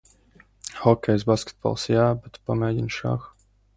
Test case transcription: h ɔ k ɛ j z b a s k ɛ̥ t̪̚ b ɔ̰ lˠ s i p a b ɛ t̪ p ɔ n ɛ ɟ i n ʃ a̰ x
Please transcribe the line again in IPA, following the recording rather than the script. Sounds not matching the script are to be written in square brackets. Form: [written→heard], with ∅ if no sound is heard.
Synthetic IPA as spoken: h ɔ k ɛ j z b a s k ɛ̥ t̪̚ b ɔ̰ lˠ s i [p→∅] a b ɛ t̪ p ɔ [n→m] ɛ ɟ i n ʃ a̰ x